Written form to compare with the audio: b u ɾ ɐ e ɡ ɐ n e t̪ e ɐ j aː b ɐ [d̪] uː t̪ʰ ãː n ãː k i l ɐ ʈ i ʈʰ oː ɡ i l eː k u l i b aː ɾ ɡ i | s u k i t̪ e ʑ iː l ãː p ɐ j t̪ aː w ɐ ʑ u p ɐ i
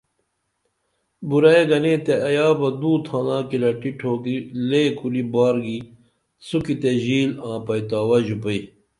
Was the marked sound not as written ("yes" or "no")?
no